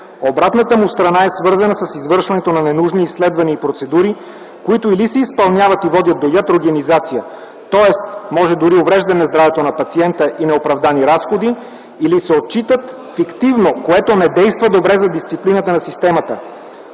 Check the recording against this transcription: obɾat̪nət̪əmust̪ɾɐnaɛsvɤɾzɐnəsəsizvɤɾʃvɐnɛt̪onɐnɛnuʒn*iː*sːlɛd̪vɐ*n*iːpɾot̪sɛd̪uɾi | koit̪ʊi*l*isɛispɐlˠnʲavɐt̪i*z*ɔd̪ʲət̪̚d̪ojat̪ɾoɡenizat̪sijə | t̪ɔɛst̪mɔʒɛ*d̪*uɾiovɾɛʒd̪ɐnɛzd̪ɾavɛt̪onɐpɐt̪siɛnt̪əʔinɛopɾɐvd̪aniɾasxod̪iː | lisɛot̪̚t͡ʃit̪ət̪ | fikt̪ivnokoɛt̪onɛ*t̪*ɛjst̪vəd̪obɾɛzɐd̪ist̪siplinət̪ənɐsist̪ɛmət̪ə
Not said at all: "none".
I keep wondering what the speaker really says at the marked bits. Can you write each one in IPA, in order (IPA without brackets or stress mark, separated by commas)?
iː, n, l, v, d̪, d̪